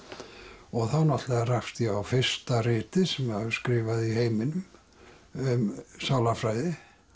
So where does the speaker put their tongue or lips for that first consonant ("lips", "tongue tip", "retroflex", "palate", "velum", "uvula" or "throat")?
velum